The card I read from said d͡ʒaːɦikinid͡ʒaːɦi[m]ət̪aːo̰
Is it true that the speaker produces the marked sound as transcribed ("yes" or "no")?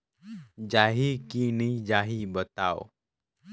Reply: no